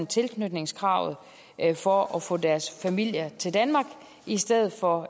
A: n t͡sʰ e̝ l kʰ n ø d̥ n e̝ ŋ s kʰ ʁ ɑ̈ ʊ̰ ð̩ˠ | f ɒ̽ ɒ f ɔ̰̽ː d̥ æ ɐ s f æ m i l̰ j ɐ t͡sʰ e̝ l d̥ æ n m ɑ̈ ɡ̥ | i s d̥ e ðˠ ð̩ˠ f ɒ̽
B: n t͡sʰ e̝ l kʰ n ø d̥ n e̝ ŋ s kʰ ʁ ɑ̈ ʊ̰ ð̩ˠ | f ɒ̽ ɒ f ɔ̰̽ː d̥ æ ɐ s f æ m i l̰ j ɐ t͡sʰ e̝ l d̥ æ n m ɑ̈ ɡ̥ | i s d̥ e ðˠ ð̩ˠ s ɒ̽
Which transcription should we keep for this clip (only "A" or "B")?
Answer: A